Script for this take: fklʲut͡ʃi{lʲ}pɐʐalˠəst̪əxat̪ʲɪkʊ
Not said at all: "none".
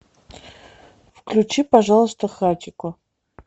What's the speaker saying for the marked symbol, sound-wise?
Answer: none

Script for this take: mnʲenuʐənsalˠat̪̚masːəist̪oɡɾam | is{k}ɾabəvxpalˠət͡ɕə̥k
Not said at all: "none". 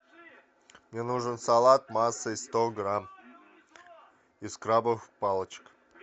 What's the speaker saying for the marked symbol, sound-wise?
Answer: k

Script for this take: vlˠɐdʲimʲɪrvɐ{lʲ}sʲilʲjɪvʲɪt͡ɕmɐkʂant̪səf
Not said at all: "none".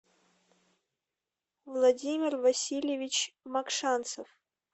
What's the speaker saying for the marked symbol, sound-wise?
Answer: none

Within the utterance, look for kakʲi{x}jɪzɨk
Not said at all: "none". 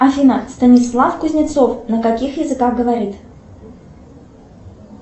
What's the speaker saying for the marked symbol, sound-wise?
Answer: x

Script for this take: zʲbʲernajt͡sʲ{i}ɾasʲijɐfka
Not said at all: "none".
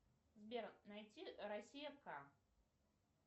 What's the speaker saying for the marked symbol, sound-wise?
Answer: i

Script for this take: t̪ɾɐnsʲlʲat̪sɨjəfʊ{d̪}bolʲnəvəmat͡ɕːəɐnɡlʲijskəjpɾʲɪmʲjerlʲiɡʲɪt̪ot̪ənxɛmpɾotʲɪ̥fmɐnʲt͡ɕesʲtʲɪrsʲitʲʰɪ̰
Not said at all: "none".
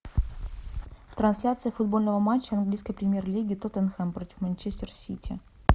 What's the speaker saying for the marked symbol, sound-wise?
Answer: d̪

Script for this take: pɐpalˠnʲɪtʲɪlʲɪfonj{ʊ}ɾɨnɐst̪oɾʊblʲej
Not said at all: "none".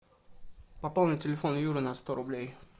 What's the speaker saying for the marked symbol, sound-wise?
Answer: u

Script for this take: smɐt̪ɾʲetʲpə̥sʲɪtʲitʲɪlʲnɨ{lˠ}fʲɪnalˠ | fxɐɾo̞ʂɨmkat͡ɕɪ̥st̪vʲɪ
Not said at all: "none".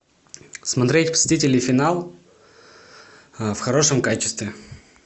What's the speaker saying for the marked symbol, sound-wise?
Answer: none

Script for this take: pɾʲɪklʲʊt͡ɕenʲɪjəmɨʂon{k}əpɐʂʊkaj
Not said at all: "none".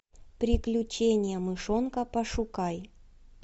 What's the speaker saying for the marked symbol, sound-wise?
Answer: k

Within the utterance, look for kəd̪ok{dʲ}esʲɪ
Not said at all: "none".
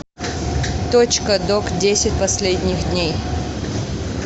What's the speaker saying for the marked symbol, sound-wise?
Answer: dʲ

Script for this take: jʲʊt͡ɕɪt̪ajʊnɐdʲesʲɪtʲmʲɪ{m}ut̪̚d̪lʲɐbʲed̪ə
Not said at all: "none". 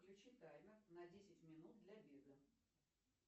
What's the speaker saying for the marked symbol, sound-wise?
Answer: n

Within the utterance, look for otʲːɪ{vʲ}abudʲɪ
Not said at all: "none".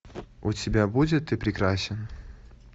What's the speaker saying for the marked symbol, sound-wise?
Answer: bʲ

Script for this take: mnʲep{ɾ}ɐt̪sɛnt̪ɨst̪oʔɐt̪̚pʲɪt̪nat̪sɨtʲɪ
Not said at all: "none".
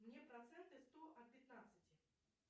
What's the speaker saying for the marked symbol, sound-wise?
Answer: ɾ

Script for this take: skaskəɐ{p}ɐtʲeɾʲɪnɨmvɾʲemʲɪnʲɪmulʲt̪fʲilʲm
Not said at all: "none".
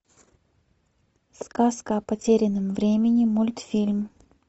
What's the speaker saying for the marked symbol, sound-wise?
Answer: p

